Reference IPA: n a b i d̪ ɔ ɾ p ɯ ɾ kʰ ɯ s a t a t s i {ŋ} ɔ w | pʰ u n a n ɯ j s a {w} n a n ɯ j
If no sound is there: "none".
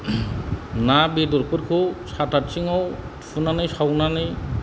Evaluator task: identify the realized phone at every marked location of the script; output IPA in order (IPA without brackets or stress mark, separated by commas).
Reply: ŋ, w